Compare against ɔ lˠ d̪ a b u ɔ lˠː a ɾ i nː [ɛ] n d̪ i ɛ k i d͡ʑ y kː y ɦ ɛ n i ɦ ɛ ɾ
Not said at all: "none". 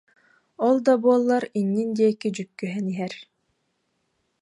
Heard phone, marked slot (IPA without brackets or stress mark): i